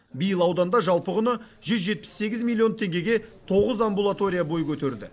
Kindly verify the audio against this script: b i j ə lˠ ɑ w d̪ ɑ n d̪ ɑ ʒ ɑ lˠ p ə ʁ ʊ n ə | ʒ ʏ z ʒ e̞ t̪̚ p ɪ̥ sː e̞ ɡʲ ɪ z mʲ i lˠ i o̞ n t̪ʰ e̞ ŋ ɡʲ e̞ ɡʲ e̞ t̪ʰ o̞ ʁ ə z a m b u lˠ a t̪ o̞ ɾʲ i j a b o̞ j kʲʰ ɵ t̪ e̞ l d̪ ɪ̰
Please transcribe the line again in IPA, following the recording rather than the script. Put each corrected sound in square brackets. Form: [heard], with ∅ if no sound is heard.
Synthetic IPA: b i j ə lˠ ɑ w d̪ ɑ n d̪ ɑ ʒ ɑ lˠ p ə ʁ ʊ n ə | ʒ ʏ z ʒ e̞ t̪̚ p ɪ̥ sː e̞ ɡʲ ɪ z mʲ i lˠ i o̞ n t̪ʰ e̞ ŋ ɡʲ e̞ ɡʲ e̞ t̪ʰ o̞ ʁ ə z a m b u lˠ a t̪ o̞ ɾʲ i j a b o̞ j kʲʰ ɵ t̪ e̞ [ɾ] d̪ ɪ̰